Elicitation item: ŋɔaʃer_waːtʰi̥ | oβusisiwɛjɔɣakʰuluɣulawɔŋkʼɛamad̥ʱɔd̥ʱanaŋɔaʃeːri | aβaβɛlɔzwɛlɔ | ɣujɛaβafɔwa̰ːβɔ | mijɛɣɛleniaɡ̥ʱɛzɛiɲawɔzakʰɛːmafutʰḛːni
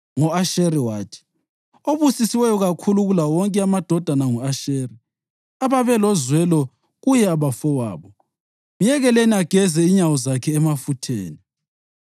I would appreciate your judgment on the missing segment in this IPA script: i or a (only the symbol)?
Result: i